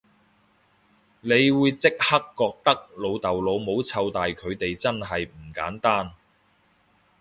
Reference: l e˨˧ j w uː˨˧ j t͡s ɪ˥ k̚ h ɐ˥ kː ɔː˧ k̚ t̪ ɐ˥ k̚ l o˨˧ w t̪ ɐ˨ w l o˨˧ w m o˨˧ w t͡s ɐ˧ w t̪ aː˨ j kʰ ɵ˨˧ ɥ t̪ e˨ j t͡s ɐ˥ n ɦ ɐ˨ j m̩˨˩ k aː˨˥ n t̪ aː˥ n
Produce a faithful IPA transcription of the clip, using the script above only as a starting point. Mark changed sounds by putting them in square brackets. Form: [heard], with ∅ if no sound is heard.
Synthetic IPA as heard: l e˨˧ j w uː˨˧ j t͡s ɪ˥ k̚ h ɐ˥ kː ɔː˧ k̚ t̪ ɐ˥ k̚ l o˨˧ w t̪ ɐ˨ w l o˨˧ w m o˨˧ w [t͡sʰ] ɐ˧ w t̪ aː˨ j kʰ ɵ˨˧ ɥ t̪ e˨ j t͡s ɐ˥ n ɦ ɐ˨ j m̩˨˩ k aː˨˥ n t̪ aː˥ n